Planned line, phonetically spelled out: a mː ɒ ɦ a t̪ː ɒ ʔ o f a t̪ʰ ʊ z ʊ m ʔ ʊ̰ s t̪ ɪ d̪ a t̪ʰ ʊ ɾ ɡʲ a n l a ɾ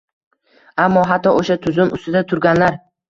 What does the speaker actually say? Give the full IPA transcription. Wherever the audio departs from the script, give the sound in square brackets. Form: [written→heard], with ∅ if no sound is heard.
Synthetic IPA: a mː ɒ ɦ a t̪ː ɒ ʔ o [f→ʃ] a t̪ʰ ʊ z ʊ m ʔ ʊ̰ s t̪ ɪ d̪ a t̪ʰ ʊ ɾ ɡʲ a n l a ɾ